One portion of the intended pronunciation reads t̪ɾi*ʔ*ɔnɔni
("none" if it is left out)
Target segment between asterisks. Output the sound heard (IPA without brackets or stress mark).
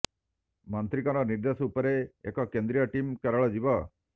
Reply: k